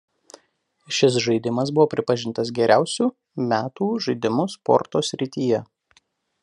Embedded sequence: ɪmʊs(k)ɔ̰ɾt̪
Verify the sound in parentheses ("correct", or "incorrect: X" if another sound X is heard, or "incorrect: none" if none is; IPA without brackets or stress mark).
incorrect: p